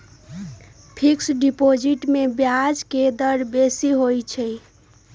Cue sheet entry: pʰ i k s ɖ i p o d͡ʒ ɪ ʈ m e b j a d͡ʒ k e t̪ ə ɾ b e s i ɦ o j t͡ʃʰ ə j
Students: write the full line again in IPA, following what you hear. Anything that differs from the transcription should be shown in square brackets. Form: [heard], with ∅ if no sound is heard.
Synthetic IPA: pʰ i k s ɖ i p o d͡ʒ [i] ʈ m e b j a d͡ʒ k e [d̪] ə ɾ b e s i ɦ o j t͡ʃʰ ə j